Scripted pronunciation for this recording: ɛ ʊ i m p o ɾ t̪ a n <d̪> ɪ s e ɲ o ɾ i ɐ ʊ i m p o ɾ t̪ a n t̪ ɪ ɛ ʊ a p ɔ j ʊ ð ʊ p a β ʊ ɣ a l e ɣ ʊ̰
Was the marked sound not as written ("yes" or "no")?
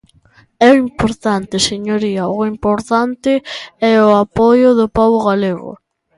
yes